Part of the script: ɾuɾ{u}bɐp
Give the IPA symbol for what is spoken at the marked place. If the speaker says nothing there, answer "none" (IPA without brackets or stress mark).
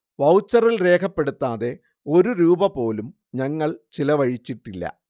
uː